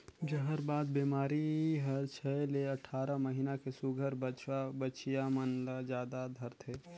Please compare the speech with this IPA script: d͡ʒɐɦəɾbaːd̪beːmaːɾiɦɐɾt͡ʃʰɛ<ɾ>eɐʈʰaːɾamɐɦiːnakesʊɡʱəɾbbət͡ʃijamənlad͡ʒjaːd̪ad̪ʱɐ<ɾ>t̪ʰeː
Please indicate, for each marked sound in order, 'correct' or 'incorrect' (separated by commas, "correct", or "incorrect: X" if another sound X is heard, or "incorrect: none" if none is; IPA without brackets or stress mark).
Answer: incorrect: l, correct